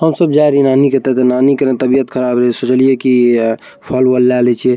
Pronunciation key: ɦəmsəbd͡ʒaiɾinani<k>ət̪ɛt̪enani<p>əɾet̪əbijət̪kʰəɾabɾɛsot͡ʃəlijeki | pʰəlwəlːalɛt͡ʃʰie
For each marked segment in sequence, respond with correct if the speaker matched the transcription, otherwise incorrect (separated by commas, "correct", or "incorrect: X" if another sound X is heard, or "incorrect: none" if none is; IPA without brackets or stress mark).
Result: correct, incorrect: k